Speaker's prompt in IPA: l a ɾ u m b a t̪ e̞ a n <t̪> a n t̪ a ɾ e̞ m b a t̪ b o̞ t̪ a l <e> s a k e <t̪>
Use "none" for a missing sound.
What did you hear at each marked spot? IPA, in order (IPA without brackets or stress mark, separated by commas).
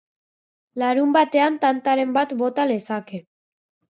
t̪, e, none